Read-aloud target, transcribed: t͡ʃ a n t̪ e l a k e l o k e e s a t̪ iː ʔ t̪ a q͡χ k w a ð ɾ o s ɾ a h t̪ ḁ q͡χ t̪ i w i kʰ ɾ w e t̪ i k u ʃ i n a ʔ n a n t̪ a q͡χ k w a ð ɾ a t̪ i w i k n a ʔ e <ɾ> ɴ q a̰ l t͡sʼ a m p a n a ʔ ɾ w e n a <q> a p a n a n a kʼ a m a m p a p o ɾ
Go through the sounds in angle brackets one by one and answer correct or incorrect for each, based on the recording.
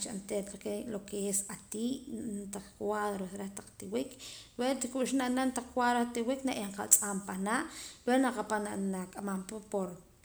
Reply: incorrect: none, correct

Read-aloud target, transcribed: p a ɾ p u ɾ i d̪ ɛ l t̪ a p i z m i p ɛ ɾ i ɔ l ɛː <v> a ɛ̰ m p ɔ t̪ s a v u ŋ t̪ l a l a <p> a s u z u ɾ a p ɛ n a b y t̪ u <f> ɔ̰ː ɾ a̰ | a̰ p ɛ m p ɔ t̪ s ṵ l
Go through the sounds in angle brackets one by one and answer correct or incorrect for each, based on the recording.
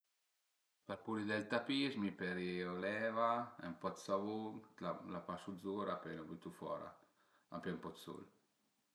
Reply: correct, correct, correct

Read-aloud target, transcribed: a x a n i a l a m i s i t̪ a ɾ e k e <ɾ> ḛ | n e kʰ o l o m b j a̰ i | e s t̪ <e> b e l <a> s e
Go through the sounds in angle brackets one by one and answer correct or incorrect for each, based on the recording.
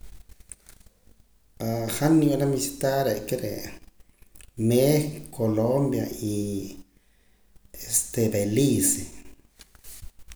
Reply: correct, correct, incorrect: i

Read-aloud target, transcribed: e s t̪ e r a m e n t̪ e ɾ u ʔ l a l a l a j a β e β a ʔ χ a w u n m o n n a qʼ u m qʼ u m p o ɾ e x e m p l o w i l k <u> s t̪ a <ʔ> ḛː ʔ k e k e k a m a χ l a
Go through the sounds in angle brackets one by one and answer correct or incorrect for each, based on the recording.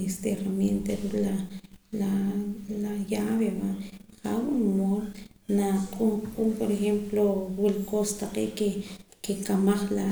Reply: incorrect: o, incorrect: q

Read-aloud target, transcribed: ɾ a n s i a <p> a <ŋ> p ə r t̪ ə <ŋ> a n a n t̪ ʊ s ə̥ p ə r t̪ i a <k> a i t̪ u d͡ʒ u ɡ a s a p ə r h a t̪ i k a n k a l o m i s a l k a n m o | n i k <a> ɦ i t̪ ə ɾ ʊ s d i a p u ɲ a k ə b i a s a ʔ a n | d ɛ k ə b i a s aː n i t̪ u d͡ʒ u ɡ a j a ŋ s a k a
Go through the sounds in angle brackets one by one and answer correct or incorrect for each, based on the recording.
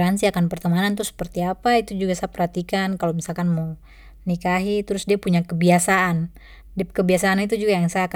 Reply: incorrect: k, incorrect: n, incorrect: m, incorrect: p, correct

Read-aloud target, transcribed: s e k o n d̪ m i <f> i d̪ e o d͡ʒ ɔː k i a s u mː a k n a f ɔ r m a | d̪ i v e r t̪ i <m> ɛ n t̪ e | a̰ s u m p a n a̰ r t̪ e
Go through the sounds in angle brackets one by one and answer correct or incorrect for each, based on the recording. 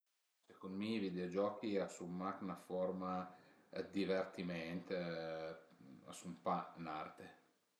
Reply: incorrect: v, correct

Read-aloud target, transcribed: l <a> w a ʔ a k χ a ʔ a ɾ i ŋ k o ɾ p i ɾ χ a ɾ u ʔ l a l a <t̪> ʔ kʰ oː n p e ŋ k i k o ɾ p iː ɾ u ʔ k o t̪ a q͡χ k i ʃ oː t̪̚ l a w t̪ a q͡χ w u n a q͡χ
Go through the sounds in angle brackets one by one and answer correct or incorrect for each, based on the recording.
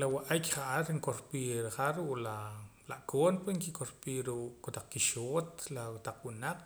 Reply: correct, incorrect: none

